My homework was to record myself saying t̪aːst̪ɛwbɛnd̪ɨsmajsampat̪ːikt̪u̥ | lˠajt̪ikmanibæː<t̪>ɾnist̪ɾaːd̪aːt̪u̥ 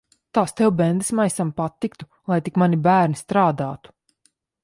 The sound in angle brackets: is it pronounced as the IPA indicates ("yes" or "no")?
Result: no